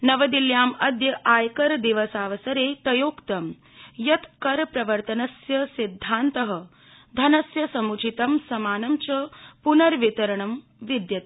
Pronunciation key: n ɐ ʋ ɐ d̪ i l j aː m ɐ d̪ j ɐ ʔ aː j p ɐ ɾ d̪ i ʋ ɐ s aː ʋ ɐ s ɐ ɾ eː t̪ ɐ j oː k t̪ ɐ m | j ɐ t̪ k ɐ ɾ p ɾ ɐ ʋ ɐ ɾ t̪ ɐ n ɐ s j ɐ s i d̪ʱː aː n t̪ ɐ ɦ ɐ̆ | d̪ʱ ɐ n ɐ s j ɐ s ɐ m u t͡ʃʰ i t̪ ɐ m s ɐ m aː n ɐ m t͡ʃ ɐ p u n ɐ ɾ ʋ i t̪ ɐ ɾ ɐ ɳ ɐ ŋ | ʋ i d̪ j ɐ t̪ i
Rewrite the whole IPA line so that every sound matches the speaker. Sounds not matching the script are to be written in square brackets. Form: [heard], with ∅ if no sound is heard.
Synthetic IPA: n ɐ ʋ ɐ d̪ i l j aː m ɐ d̪ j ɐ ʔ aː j [k] ɐ ɾ d̪ i ʋ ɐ s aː ʋ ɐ s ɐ ɾ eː t̪ ɐ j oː k t̪ ɐ m | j ɐ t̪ k ɐ ɾ p ɾ ɐ ʋ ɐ ɾ t̪ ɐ n ɐ s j ɐ s i d̪ʱː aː n t̪ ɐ ɦ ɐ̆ | d̪ʱ ɐ n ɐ s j ɐ s ɐ m u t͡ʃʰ i t̪ ɐ m s ɐ m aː n ɐ m t͡ʃ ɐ p u n ɐ ɾ ʋ i t̪ ɐ ɾ ɐ ɳ ɐ [m] | ʋ i d̪ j ɐ t̪ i